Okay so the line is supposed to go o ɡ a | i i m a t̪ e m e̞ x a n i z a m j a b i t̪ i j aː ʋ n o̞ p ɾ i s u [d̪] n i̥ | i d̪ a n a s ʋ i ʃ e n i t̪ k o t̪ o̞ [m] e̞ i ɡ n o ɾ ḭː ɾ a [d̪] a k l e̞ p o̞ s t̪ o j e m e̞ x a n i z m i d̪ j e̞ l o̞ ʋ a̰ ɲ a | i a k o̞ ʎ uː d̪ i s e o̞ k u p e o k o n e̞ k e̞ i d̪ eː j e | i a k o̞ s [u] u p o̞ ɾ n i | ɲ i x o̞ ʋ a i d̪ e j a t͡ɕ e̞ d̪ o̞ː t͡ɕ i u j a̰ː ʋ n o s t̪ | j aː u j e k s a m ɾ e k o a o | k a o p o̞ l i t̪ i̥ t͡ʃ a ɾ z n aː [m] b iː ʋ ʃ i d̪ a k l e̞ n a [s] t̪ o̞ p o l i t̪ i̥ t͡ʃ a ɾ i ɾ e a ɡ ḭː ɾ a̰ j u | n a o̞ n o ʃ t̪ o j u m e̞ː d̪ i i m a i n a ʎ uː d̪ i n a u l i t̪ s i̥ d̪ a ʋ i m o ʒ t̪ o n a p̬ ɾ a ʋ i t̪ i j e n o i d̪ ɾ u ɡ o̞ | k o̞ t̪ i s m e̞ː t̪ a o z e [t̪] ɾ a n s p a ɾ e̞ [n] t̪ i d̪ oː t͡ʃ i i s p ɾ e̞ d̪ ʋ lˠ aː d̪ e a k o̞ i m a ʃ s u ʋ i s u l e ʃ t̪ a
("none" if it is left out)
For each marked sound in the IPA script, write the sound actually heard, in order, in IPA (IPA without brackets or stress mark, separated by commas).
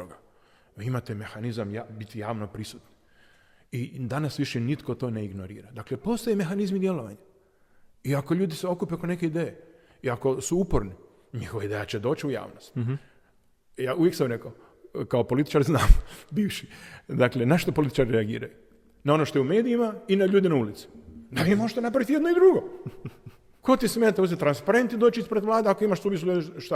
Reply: t̪, n, d̪, u, m, ʃ, t̪, n